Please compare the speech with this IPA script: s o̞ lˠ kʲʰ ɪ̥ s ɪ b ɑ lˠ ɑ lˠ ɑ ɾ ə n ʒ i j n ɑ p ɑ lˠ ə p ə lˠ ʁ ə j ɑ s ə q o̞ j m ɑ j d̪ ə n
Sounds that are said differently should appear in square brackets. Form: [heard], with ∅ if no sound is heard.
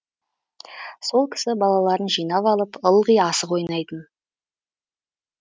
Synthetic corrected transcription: s o̞ lˠ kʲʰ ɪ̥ s ɪ b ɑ lˠ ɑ lˠ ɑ ɾ ə n ʒ i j n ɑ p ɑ lˠ ə p ə lˠ ʁ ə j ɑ s ə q o̞ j [n] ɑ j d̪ ə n